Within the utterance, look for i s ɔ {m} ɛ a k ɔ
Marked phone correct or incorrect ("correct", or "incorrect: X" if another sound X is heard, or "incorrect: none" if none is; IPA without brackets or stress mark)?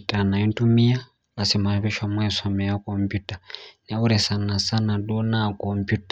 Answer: correct